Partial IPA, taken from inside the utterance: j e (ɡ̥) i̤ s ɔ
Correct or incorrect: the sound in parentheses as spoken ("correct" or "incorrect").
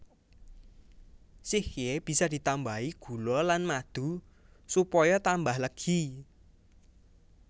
incorrect